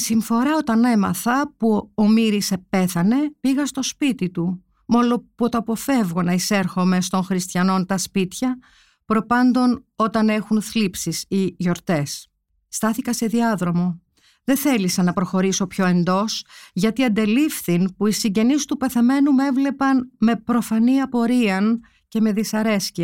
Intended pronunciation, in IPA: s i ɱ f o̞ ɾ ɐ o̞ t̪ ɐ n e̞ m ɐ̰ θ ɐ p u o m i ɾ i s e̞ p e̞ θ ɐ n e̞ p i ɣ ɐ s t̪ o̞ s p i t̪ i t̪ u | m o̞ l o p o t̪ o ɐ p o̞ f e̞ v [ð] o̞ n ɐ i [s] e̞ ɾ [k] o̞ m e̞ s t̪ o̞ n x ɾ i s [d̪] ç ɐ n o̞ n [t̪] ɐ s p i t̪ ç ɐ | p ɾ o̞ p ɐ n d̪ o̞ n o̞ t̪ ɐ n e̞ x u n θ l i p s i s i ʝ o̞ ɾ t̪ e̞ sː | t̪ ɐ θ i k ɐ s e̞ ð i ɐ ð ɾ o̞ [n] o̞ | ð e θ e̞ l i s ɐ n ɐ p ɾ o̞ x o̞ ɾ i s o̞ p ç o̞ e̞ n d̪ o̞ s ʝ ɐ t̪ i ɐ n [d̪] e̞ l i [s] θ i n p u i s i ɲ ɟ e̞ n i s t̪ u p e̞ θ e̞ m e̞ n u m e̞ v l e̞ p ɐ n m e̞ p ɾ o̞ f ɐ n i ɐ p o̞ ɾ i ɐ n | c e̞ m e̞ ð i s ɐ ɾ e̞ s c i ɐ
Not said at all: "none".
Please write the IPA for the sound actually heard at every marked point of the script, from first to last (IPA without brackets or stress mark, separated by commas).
ɣ, s, x, t̪, t̪, m, d̪, f